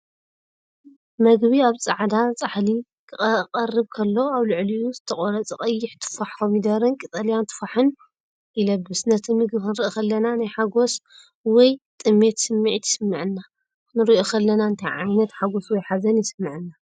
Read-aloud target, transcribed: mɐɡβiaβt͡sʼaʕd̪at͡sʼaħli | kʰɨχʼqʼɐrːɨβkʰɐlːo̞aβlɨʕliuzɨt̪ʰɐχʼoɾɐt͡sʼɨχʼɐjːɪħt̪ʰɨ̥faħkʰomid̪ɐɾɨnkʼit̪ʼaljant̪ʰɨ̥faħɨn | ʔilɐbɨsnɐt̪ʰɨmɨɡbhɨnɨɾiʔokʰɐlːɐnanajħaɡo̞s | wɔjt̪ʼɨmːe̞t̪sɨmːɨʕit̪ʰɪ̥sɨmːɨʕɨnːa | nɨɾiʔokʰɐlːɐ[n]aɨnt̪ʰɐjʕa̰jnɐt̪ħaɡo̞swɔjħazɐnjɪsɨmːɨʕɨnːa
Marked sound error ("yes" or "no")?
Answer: no